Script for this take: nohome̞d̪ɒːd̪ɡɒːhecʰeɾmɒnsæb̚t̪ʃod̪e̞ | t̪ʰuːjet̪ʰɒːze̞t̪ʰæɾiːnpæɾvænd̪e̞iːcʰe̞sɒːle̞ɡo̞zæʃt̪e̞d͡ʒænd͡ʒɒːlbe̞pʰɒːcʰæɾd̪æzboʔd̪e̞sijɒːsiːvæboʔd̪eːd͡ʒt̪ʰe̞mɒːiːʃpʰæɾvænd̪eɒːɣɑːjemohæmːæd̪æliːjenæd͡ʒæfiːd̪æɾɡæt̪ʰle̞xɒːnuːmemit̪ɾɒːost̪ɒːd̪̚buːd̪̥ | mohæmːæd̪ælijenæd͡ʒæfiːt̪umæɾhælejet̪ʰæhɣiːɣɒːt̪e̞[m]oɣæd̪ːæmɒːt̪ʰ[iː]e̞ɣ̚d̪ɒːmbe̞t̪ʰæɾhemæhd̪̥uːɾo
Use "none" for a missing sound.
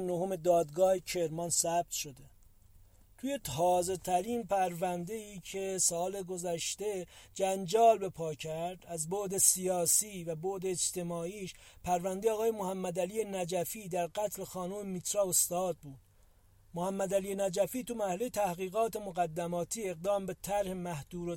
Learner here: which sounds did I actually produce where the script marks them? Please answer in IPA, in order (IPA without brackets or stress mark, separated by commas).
m, iː